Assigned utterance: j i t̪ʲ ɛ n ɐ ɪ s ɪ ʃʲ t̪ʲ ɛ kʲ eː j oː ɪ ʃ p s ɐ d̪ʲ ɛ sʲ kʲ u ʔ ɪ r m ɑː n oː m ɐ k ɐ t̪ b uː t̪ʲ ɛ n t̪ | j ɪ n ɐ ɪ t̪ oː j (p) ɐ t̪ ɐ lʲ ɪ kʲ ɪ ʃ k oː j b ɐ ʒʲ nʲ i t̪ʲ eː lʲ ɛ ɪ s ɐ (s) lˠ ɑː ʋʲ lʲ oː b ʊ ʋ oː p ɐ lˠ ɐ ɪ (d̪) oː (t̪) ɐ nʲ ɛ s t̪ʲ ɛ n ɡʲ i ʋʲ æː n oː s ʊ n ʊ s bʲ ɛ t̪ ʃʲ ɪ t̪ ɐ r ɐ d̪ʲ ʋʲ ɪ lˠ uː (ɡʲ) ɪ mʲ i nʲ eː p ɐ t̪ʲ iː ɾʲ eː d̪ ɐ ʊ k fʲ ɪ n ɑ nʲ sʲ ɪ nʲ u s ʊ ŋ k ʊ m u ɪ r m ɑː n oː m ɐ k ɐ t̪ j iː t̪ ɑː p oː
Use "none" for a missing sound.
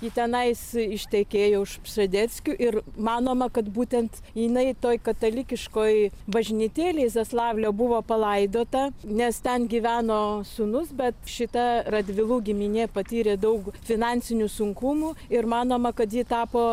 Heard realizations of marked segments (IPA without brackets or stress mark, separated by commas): k, s, d̪, t̪, ɡʲ